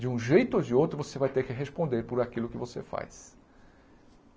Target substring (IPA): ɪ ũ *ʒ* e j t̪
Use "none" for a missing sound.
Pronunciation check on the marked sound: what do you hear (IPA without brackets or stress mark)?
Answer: ʒ